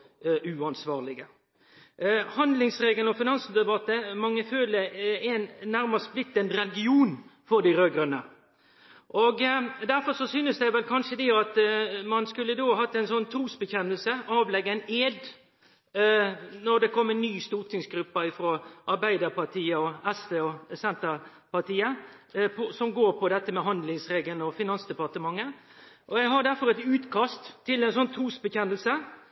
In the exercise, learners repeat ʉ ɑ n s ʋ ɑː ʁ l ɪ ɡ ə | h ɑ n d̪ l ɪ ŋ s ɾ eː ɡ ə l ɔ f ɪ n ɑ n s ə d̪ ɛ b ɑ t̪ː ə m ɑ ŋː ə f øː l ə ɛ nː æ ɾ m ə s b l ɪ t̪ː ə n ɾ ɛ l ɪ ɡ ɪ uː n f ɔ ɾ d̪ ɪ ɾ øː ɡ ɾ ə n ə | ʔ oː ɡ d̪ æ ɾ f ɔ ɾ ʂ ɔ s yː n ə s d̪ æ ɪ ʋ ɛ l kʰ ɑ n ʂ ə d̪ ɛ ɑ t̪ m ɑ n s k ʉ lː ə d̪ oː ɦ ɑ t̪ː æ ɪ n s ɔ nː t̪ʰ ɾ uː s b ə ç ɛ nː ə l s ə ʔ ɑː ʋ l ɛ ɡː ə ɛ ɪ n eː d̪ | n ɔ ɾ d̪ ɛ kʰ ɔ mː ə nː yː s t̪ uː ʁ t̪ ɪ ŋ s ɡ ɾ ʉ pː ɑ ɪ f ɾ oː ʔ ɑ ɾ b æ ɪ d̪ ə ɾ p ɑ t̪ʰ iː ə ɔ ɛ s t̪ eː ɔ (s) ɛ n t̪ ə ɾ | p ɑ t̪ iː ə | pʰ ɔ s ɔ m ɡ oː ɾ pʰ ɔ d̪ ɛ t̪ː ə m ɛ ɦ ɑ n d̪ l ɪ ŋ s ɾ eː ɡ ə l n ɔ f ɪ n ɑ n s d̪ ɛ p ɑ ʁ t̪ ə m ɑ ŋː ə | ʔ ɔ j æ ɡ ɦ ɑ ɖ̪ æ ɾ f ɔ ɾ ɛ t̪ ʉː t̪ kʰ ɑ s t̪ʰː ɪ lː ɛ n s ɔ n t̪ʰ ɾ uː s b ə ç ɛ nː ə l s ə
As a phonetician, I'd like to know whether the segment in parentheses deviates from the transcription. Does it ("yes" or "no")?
no